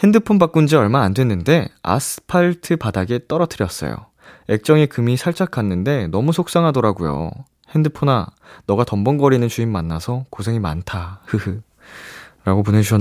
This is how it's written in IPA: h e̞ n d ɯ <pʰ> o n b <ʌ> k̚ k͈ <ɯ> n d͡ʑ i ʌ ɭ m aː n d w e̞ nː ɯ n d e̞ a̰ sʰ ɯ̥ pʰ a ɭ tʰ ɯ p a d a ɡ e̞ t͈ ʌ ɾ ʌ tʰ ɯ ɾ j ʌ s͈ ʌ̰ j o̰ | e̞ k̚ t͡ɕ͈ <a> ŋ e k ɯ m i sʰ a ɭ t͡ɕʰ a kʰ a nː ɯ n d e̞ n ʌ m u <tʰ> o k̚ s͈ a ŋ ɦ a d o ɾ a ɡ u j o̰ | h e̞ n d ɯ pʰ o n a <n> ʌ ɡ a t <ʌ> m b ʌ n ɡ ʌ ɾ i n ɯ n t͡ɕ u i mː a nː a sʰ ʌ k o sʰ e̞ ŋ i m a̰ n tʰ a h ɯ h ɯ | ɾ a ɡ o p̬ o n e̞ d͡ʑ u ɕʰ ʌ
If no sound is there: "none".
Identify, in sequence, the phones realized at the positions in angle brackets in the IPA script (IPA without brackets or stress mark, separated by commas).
pʰ, a, u, ʌ, sʰ, n, ʌ